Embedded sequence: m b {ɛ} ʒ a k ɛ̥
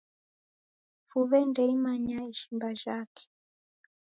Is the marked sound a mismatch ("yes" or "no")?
yes